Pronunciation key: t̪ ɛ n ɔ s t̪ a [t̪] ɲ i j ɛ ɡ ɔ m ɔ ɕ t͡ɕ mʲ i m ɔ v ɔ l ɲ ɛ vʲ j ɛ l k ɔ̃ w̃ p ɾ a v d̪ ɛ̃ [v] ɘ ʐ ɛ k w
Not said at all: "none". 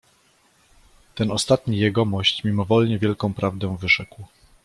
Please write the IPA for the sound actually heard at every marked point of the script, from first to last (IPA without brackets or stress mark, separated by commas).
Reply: t̪, v